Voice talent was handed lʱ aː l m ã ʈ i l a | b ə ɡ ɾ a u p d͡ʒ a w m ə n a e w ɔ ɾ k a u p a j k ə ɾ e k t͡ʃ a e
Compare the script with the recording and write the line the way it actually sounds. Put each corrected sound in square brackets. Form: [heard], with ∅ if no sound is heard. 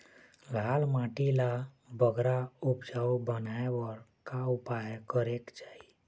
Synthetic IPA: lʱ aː l m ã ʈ i l a | b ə ɡ ɾ a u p d͡ʒ a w [b] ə n a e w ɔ ɾ k a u p a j k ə ɾ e k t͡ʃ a [i]